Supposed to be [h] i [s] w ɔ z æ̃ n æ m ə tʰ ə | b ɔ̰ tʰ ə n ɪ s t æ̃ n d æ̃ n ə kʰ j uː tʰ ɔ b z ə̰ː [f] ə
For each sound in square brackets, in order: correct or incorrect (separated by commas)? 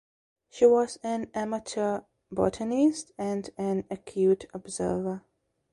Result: incorrect, incorrect, incorrect